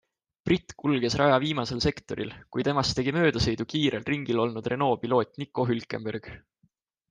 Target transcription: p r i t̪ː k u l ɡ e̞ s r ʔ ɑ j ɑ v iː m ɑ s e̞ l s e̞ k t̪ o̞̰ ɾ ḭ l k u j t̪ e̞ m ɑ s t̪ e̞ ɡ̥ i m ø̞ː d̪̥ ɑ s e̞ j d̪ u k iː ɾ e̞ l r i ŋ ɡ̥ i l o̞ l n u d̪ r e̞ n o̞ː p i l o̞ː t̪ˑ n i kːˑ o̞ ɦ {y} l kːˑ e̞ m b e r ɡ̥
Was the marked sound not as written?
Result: no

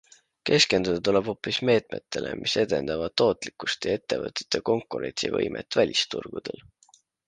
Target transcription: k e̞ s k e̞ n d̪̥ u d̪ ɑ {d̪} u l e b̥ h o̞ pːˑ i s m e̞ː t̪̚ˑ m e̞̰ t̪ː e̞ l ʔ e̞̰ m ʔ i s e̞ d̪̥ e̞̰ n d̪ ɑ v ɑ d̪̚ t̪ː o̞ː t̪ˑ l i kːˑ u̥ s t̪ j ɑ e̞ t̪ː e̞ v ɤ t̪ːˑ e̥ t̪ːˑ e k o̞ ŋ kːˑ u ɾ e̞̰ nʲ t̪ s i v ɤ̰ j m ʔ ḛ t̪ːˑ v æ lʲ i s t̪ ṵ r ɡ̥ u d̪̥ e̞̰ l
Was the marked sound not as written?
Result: yes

